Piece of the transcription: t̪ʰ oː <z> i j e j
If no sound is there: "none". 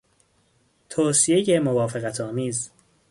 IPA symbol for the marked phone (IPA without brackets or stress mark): s